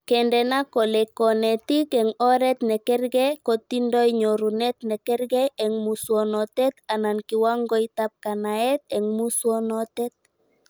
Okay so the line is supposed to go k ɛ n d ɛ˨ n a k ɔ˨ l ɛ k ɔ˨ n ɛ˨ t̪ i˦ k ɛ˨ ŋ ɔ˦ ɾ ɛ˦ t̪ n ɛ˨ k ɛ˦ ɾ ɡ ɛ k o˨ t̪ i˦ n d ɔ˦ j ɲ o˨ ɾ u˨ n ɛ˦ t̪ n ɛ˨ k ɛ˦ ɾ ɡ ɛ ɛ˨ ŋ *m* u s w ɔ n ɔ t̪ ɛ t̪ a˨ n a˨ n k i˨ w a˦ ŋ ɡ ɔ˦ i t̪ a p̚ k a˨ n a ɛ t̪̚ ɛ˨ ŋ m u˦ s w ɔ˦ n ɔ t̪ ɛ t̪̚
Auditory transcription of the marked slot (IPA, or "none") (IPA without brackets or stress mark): m